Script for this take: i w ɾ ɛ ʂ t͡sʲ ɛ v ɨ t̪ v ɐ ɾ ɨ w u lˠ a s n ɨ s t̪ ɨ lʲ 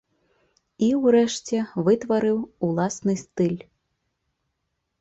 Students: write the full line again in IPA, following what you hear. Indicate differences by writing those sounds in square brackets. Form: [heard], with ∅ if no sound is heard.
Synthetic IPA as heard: i w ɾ ɛ ʂ t͡sʲ ɛ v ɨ t̪ v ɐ ɾ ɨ w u lˠ a s n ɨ s t̪ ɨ lʲ